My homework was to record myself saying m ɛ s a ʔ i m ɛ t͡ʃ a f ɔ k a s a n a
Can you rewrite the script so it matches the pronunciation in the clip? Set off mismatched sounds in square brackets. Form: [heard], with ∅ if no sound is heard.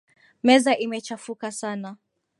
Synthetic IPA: m ɛ [z] a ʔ i m ɛ t͡ʃ a f [u] k a s a n a